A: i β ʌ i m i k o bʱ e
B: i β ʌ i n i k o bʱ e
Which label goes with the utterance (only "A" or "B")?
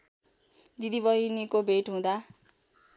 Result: B